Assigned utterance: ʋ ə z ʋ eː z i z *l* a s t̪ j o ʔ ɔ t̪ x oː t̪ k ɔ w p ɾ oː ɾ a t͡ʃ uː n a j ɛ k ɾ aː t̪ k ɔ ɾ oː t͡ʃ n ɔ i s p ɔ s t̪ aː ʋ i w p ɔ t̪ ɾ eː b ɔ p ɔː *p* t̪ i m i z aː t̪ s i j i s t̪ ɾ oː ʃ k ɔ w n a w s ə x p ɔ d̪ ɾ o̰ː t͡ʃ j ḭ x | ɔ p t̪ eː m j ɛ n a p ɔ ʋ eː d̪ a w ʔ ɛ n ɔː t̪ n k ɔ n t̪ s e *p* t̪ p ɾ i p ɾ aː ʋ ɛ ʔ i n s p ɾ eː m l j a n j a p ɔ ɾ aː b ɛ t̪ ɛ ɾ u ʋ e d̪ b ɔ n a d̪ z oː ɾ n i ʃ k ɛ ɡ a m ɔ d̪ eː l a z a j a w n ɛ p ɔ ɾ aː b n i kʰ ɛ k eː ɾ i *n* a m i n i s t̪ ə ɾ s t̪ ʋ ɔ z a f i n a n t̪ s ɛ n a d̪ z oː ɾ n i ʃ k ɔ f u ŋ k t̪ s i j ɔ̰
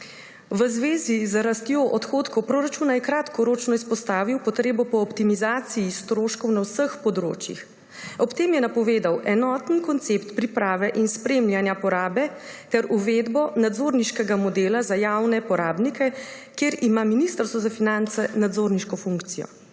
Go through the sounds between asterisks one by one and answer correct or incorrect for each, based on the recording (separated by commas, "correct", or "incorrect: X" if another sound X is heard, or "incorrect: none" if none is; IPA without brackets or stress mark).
incorrect: ɾ, correct, correct, incorrect: m